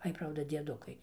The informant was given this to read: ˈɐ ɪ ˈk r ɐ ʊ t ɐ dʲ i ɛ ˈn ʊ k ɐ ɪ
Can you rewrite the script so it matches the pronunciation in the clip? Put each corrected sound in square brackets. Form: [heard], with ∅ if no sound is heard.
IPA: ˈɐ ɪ [ˈp] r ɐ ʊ [d] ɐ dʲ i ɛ [ˈd] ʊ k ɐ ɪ